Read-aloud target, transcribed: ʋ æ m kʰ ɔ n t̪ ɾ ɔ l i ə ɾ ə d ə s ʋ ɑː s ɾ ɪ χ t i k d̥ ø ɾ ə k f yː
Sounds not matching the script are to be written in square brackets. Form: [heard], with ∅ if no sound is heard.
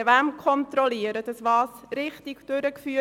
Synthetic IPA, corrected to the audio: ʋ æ m kʰ ɔ n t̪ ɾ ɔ l i ə ɾ ə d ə s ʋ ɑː s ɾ ɪ χ t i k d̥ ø ɾ ə k f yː

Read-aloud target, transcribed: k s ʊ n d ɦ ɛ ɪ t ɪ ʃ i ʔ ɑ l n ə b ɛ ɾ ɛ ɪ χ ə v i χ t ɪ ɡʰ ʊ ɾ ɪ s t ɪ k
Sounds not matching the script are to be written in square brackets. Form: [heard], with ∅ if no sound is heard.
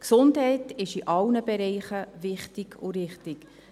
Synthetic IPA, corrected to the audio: k s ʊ n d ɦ ɛ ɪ t ɪ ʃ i ʔ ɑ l n ə b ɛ ɾ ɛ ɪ χ ə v [ɪ] χ t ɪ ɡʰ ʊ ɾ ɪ [χ] t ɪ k

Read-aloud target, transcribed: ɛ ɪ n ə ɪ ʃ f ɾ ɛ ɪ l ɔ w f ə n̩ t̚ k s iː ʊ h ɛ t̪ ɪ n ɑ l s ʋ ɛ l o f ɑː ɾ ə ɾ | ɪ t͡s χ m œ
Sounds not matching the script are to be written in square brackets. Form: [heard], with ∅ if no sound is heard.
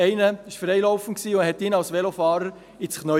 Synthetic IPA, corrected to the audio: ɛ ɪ n ə ɪ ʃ f ɾ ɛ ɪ l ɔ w f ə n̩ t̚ k s iː ʊ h ɛ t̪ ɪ n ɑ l s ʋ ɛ l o f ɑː ɾ ə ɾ | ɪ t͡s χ [n] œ

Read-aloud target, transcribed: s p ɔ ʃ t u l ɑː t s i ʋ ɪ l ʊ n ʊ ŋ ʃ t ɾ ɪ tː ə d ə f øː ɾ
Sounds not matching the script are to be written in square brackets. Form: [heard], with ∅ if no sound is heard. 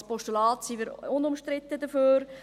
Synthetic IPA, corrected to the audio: s p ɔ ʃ t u l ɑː t s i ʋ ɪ [ɾ] ʊ n ʊ [m] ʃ t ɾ ɪ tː ə d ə f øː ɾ

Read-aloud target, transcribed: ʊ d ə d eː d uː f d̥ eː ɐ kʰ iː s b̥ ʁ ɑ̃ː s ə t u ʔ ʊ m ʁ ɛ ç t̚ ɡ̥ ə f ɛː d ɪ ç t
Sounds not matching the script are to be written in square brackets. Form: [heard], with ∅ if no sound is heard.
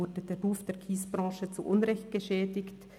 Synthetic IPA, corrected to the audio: ʊ d ə d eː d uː f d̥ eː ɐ kʰ iː s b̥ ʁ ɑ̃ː [ʃ] ə [t͡s] u ʔ ʊ [n] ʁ ɛ ç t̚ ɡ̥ ə [ʃ] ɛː d ɪ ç t

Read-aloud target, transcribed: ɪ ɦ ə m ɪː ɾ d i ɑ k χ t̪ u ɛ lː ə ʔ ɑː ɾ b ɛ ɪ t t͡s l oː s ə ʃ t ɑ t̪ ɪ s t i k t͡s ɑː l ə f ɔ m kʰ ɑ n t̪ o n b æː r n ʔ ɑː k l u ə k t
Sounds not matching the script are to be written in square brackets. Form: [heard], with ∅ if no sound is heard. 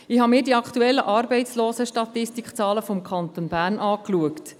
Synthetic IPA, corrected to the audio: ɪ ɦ [ɑ] m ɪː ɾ d i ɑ k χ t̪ u ɛ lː ə ʔ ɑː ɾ b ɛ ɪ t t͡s l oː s ə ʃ t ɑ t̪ ɪ s t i k t͡s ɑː l ə f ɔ m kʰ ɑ n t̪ o n b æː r n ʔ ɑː k l u ə k t

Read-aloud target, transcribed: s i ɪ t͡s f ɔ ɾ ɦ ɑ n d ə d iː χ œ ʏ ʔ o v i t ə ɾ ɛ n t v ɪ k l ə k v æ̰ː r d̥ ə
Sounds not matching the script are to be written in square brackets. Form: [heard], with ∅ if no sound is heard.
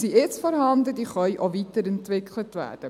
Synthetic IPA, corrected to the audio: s i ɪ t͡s f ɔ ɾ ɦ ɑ n d ə d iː χ œ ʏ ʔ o v i t ə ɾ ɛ n t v ɪ k l ə [t] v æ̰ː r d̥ ə

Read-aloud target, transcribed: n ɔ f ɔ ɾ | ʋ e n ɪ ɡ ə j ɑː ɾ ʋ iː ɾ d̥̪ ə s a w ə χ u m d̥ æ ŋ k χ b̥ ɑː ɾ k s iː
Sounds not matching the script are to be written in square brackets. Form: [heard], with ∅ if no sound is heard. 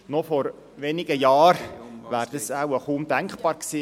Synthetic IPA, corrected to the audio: n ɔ f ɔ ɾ | ʋ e n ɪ ɡ ə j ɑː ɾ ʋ [æː] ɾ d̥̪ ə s a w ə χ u m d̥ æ ŋ k χ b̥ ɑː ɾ k s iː

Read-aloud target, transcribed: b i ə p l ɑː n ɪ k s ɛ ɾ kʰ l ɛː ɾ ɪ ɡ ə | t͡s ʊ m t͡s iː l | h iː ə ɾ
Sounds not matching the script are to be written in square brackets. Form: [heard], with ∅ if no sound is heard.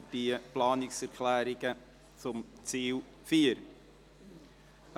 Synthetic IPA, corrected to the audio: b i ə p l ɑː n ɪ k s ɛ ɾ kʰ l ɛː ɾ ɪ ɡ ə | t͡s ʊ m t͡s iː l | [f] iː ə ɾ

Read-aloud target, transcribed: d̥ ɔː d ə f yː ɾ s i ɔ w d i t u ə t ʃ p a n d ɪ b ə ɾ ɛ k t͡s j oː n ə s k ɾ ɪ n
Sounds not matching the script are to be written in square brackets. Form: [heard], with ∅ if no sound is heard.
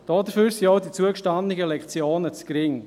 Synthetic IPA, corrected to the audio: d̥ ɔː d ə f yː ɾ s i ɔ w d i [t͡s] u ə [k] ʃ [t] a n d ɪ [ɡ] ə [l] ɛ k t͡s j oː n ə [t͡s] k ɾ ɪ [ŋ]

